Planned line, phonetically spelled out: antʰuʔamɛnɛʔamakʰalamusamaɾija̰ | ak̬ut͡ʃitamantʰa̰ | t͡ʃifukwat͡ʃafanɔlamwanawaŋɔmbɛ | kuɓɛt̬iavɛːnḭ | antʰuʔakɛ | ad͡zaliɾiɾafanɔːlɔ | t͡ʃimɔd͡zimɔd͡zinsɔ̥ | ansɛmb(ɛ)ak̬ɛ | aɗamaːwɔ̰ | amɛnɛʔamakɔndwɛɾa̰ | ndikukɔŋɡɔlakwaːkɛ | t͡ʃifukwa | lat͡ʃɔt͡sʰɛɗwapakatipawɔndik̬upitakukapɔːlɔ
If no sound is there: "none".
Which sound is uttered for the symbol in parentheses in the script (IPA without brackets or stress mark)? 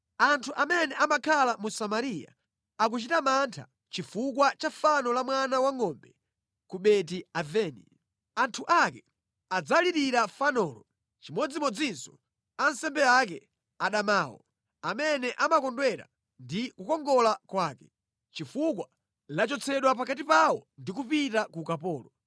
ɛ